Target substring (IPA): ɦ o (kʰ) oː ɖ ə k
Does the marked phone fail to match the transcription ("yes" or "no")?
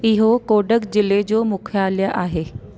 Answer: yes